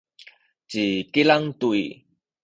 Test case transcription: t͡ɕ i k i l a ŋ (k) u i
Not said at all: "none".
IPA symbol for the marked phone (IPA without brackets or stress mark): t